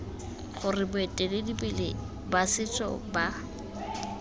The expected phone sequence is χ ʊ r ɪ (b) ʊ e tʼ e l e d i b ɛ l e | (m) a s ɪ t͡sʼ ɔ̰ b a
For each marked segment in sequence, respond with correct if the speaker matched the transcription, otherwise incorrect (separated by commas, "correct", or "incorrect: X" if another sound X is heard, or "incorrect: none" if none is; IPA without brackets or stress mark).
correct, incorrect: b